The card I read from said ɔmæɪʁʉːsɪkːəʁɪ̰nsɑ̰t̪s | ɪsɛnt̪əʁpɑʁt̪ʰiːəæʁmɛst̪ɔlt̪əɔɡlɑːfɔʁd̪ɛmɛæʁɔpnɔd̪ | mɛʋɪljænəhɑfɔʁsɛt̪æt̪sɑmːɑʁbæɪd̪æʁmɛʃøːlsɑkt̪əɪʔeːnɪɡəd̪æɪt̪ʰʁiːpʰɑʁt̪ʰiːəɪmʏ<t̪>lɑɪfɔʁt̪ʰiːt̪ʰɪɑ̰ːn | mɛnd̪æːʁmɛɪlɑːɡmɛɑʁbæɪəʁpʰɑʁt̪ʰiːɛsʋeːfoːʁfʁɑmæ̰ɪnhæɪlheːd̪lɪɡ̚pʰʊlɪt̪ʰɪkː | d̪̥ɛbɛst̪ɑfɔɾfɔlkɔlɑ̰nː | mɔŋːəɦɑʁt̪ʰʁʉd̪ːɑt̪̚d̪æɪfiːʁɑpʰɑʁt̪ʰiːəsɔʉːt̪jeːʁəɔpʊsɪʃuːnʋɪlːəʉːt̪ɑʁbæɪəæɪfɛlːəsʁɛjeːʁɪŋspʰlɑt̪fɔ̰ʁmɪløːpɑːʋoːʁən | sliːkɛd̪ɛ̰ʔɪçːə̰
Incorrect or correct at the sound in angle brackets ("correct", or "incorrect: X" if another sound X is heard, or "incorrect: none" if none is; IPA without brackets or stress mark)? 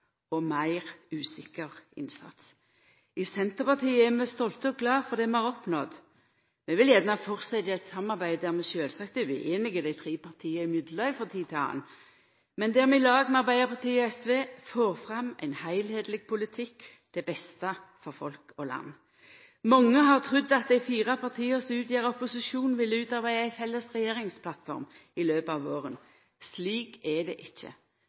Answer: incorrect: d̪